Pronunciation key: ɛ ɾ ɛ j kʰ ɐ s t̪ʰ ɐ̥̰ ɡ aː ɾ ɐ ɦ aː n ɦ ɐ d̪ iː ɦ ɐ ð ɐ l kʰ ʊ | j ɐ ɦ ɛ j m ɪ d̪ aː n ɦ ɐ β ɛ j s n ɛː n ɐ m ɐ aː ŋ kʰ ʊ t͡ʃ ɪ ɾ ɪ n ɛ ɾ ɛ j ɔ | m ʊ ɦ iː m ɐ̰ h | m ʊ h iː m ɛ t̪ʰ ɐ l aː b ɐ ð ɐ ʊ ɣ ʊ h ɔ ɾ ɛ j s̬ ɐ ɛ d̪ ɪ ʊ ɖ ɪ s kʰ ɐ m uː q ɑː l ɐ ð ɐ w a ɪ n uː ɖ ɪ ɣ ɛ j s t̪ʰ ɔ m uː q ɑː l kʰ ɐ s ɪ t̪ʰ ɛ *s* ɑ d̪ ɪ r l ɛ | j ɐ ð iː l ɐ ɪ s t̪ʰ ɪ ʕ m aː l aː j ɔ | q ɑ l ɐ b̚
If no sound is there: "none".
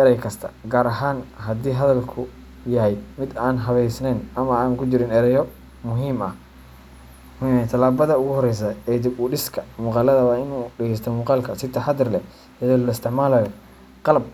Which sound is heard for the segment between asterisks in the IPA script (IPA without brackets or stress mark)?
ħ